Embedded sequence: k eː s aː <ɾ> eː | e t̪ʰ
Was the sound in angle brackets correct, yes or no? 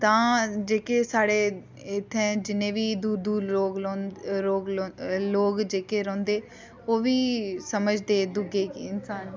no